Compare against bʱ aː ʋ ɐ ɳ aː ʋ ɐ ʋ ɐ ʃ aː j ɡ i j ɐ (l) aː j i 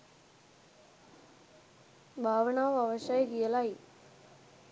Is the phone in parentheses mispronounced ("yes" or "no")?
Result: no